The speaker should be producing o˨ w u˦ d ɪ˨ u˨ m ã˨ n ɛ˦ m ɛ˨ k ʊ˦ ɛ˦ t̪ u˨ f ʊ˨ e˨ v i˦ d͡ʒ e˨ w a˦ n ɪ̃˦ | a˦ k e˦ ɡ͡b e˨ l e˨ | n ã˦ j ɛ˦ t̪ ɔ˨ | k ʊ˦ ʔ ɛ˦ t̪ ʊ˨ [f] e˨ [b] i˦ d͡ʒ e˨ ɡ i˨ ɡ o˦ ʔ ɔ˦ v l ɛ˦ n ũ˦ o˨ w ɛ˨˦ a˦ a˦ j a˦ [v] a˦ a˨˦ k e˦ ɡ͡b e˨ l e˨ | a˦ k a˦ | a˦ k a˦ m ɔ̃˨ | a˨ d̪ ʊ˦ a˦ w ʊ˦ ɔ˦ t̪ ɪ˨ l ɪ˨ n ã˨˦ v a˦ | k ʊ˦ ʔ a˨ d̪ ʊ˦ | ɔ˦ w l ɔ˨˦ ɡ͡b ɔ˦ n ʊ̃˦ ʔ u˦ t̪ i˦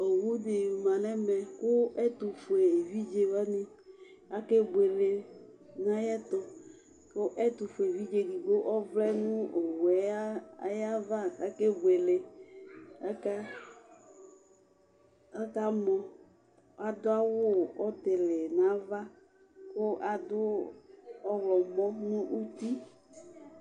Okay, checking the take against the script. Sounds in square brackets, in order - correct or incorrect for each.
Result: correct, incorrect: v, correct

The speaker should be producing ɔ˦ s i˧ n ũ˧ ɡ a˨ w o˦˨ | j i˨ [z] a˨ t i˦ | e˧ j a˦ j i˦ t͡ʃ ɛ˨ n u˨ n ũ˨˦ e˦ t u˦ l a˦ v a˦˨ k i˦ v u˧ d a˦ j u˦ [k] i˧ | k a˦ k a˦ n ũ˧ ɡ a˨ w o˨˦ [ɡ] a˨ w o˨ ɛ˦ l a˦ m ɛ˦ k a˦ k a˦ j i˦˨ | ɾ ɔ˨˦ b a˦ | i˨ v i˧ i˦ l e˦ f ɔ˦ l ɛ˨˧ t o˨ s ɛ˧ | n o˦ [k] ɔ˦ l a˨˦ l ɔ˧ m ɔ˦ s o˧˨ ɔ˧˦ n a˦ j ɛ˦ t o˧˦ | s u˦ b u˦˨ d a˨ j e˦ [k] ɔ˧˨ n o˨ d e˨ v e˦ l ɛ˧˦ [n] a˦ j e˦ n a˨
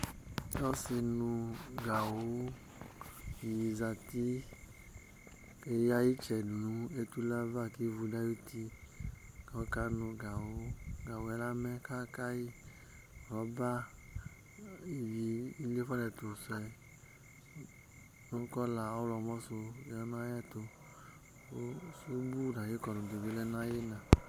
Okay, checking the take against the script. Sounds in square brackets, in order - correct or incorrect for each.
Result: correct, incorrect: t, correct, correct, correct, correct

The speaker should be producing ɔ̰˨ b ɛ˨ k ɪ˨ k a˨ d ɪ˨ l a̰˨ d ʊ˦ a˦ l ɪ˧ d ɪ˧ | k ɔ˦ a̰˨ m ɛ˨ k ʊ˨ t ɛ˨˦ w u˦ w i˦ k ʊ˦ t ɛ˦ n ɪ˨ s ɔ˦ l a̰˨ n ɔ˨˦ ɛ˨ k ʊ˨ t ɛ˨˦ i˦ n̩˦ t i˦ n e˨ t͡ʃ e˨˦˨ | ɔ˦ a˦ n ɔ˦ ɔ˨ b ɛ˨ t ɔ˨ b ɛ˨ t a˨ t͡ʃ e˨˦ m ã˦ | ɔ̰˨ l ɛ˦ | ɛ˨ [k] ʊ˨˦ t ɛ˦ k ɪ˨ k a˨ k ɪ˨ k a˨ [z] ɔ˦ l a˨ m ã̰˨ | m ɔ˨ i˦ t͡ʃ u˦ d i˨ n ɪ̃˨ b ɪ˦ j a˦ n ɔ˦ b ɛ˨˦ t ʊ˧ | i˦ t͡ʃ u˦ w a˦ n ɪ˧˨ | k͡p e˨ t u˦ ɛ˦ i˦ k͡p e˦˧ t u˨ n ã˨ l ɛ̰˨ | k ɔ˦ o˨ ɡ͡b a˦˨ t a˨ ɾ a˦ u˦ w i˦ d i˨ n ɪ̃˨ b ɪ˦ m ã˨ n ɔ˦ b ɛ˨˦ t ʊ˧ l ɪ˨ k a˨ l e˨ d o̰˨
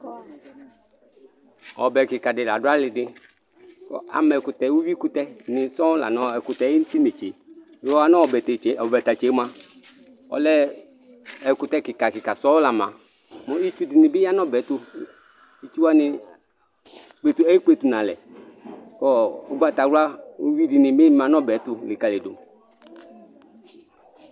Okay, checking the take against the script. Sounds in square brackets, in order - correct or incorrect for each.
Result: correct, incorrect: s

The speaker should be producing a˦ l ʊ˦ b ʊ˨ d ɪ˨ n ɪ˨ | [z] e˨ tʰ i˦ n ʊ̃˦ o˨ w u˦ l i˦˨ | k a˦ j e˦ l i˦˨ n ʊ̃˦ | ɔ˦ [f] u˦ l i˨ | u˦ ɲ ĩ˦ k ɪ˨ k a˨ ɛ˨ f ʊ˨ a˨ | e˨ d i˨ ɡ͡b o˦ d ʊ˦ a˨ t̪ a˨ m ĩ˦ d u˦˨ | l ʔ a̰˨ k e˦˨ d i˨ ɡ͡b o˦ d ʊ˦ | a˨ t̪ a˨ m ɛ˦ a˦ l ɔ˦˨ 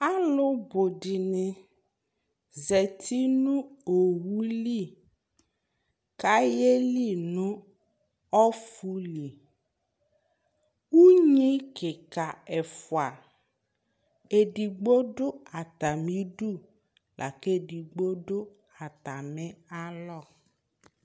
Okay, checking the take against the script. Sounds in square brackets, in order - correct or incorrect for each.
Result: correct, correct

